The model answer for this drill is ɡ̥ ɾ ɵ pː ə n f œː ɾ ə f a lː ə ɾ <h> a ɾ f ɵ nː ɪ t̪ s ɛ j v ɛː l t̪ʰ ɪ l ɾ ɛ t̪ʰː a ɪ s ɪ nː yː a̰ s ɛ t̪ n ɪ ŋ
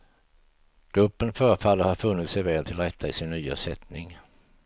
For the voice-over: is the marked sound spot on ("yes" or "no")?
yes